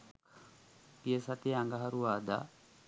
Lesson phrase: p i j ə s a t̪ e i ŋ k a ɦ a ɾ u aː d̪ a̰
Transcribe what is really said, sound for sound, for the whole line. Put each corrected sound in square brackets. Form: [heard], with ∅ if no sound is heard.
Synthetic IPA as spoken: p i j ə s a t̪ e [a] ŋ [ɡ] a ɦ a ɾ u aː d̪ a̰

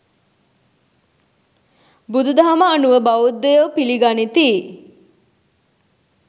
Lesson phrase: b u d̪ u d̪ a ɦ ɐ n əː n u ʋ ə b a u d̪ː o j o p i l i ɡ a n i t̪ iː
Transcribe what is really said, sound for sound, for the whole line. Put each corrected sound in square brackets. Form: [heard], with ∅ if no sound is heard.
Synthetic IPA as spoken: b u d̪ u d̪ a ɦ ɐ [m] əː n u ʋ ə b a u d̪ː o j o p i l i ɡ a n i t̪ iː

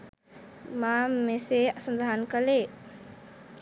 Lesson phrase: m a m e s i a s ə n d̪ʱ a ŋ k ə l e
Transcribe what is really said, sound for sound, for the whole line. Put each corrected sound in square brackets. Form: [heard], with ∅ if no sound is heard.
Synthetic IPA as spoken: m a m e s [e] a s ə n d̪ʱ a [n] k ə l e

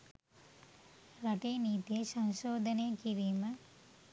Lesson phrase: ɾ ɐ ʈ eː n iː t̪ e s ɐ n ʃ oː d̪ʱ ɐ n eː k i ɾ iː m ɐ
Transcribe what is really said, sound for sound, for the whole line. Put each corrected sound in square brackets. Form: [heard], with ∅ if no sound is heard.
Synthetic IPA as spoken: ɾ ɐ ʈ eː n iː t̪ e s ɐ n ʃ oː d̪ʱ ɐ n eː k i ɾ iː m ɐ

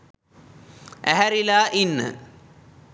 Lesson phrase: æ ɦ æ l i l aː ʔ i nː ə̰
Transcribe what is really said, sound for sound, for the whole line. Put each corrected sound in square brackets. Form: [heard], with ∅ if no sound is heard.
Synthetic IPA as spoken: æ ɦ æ [ɾ] i l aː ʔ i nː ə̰

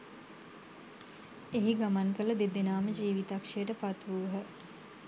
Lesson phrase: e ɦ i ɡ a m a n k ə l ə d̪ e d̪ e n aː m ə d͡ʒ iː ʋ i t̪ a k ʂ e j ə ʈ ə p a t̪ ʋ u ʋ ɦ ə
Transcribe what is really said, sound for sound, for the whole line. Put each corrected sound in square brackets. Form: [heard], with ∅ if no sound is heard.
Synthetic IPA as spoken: e ɦ i ɡ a m a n k ə l ə d̪ e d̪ e n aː m ə d͡ʒ iː ʋ i t̪ a k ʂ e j ə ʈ ə p a t̪ ʋ u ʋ ɦ ə

